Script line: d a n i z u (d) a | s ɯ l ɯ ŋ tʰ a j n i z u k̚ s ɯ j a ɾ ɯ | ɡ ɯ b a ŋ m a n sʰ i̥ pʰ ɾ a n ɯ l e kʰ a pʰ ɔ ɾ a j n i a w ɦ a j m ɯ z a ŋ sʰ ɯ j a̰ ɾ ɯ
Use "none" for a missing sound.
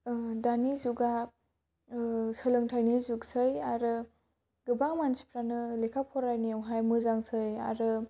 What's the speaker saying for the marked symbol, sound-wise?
ɡ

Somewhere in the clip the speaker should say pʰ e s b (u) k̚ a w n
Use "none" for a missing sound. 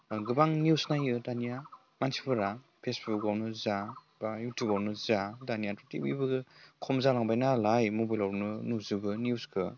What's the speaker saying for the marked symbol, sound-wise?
u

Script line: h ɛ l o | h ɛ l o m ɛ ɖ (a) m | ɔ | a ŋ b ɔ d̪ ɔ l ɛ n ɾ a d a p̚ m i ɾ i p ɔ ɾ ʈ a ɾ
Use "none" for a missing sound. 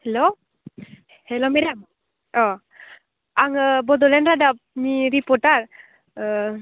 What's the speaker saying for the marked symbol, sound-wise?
a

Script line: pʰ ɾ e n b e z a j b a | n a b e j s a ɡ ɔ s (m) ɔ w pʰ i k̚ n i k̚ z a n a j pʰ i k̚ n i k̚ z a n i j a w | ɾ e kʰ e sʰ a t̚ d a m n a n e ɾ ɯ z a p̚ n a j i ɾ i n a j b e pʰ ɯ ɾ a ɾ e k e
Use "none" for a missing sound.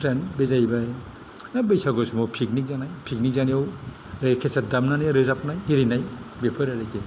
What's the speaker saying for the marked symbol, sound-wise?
m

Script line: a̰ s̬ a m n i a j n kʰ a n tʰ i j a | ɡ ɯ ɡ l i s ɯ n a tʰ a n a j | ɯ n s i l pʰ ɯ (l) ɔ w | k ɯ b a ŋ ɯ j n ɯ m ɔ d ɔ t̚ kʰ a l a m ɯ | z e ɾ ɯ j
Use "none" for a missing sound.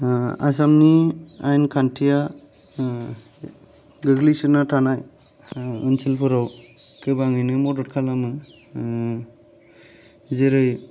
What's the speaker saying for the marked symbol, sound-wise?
ɾ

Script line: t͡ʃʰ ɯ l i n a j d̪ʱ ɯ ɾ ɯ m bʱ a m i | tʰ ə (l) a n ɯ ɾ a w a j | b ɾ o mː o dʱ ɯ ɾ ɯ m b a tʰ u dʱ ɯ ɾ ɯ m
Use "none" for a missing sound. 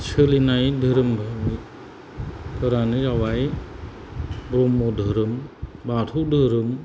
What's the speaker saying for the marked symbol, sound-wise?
ɾ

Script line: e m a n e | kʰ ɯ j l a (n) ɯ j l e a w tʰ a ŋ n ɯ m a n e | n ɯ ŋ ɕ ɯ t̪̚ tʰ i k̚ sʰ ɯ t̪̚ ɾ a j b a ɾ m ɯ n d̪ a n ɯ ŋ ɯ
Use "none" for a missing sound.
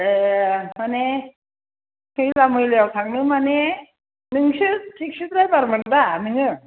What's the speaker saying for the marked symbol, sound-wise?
m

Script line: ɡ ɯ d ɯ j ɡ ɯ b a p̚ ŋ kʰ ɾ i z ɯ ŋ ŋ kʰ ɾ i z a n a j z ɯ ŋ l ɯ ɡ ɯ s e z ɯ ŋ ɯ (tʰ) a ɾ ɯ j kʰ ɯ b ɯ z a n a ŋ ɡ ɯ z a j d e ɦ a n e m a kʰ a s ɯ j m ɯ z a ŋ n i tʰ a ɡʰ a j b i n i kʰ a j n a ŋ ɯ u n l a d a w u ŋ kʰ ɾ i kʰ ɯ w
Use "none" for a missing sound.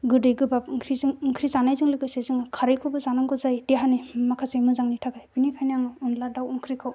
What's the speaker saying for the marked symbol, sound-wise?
kʰ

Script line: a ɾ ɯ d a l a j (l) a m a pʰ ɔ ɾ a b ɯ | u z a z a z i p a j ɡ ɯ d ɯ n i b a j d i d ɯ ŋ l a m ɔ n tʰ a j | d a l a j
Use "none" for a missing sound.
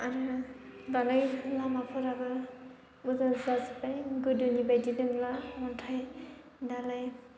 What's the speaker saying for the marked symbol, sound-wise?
l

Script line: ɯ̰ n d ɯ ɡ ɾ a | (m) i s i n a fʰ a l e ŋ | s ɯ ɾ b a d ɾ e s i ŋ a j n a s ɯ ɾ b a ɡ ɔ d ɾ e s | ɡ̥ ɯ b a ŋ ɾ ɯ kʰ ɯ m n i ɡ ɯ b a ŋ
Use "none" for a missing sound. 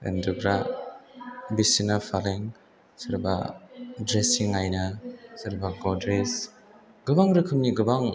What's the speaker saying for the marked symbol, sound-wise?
b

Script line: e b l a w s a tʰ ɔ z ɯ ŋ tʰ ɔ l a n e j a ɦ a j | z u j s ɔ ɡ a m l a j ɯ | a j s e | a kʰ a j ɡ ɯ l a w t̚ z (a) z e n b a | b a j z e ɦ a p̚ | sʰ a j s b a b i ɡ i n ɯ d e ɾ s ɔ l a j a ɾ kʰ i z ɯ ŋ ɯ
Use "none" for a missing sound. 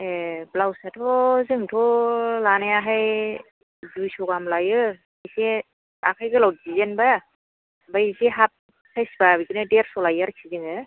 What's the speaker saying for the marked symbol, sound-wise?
i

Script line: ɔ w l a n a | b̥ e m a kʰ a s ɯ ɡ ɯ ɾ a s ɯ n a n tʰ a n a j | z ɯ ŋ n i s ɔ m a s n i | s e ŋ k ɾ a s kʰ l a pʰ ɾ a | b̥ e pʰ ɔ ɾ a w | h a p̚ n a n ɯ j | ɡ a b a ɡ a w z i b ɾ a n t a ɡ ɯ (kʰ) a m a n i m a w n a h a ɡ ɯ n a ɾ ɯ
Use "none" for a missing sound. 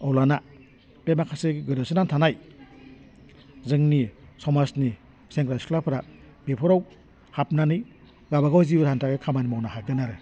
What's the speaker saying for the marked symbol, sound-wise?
kʰ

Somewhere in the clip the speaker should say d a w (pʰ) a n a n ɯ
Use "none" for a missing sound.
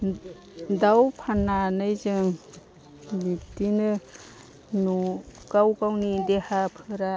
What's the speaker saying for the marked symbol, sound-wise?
pʰ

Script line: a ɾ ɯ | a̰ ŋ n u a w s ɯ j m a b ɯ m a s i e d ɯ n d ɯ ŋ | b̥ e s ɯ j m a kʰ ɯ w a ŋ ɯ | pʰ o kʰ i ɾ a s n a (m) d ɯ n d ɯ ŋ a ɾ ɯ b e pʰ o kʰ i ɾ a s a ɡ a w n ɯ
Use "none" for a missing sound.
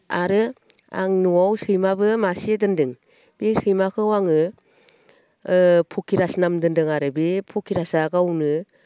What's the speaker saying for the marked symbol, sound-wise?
m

